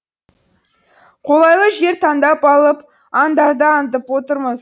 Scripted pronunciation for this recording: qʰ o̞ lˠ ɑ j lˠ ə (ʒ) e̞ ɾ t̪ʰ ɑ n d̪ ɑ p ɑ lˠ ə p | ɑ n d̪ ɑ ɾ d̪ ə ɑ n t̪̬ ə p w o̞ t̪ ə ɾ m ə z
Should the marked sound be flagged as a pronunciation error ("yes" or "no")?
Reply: no